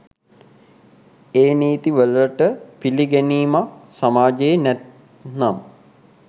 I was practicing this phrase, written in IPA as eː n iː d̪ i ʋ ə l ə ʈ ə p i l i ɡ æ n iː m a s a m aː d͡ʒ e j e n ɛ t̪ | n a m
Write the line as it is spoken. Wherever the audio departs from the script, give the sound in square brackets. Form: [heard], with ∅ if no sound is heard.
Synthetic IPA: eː n iː [t̪] i ʋ ə l ə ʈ ə p i l i ɡ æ n iː m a s a m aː d͡ʒ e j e n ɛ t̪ | n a m